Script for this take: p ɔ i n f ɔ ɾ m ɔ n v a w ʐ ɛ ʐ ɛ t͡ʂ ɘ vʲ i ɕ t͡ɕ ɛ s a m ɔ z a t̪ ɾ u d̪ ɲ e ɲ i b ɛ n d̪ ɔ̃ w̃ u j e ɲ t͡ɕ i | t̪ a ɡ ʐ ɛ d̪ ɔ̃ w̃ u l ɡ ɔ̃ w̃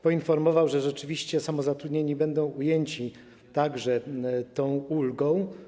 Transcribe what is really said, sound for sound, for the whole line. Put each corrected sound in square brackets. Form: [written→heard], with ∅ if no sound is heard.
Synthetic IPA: p ɔ i n f ɔ ɾ m ɔ [n→∅] v a w ʐ ɛ ʐ ɛ t͡ʂ ɘ vʲ i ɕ t͡ɕ ɛ s a m ɔ z a t̪ ɾ u d̪ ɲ e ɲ i b ɛ n d̪ ɔ̃ w̃ u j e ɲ t͡ɕ i | t̪ a ɡ ʐ ɛ [d̪→t̪] ɔ̃ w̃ u l ɡ ɔ̃ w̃